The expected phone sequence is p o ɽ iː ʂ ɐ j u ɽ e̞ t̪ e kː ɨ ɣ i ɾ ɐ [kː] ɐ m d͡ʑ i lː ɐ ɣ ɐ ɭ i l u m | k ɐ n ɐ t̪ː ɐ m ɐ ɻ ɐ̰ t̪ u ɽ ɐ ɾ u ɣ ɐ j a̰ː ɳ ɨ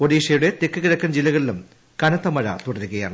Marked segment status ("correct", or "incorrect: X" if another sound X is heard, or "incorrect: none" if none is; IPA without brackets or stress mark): correct